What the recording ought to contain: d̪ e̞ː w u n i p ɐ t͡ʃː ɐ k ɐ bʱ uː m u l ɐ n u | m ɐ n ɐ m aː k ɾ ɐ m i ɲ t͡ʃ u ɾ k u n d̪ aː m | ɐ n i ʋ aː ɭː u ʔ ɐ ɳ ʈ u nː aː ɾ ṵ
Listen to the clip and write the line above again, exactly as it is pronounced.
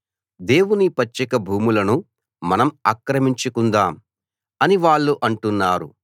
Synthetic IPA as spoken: d̪ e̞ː w u n i p ɐ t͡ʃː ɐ k ɐ bʱ uː m u l ɐ n u | m ɐ n ɐ m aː k ɾ ɐ m i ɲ t͡ʃ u k u n d̪ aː m | ɐ n i ʋ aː ɭː u ʔ ɐ ɳ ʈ u nː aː ɾ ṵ